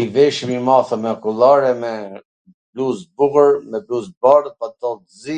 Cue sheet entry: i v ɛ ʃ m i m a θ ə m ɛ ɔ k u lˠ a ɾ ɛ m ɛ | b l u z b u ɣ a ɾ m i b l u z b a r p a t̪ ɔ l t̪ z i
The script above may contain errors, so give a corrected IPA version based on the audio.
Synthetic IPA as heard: i v ɛ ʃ m i m a θ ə m ɛ ɔ k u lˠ a ɾ ɛ m ɛ | b l u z b u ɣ ə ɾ m ɛ b l u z b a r p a t̪ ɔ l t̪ z i